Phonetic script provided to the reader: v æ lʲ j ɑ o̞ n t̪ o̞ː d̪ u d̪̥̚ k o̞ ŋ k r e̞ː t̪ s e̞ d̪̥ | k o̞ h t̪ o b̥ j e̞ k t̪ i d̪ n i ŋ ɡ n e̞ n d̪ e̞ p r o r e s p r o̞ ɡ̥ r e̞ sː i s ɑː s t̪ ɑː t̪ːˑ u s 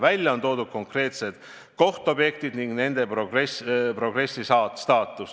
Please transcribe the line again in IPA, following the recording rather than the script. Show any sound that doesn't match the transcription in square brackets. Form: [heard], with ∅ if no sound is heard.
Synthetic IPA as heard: v æ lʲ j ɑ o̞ n t̪ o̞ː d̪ u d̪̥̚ k o̞ ŋ k r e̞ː t̪ s e̞ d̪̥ | k o̞ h t̪ o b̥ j e̞ k t̪ i d̪ n i ŋ ɡ n e̞ n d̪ e̞ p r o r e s p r o̞ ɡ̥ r e̞ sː i s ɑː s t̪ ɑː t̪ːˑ u s